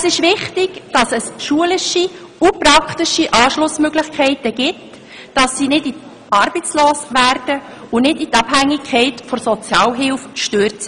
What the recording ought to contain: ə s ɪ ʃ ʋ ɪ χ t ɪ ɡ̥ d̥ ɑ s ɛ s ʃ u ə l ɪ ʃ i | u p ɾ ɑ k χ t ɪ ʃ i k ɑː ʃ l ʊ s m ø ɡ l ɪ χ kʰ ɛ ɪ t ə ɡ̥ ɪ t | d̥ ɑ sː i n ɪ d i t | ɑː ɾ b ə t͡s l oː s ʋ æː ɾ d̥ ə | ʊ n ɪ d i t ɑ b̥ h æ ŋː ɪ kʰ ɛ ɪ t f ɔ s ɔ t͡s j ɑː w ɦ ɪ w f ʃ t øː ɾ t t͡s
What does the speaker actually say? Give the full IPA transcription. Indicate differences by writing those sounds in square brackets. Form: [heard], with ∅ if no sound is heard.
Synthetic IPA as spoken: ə s ɪ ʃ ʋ ɪ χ t ɪ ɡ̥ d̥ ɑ s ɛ s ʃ u ə l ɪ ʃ i | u p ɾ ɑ k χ t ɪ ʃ i [ʔ] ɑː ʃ l ʊ s m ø ɡ l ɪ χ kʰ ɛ ɪ t ə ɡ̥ ɪ t | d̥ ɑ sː i n ɪ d i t | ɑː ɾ b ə t͡s l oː s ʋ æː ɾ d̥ ə | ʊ n ɪ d i t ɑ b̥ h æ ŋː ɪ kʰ ɛ ɪ t f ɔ s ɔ t͡s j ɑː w ɦ ɪ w f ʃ t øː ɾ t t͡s